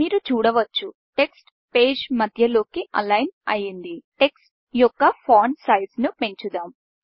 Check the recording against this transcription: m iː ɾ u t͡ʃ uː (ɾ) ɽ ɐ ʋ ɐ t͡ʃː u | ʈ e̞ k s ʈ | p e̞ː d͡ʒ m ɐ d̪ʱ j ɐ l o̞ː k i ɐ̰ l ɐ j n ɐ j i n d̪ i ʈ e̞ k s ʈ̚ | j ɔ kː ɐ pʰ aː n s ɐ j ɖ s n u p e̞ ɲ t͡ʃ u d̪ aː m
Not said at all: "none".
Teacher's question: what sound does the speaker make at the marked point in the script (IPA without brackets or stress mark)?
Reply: none